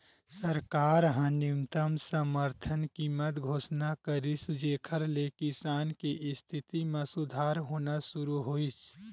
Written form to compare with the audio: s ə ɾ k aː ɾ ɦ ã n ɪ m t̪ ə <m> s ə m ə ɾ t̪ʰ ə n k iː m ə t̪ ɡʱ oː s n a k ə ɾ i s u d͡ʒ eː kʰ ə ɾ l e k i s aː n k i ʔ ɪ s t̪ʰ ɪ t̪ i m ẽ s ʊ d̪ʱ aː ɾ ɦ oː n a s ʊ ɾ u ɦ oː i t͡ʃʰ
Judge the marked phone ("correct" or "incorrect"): correct